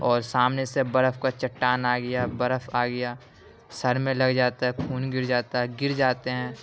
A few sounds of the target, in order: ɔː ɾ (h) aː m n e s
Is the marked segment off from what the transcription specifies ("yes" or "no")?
yes